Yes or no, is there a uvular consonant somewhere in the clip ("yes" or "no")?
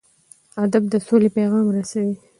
no